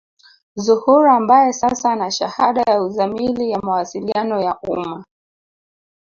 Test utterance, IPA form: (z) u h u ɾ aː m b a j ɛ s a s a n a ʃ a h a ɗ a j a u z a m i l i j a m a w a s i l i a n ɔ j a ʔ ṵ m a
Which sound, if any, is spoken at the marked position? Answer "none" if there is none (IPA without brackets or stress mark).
z